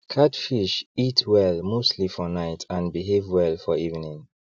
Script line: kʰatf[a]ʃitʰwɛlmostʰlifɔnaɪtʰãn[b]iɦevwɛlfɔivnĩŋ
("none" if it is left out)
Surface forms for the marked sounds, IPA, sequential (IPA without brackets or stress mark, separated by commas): i, b